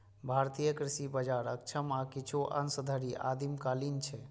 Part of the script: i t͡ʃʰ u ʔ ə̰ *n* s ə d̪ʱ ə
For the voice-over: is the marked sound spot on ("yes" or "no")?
yes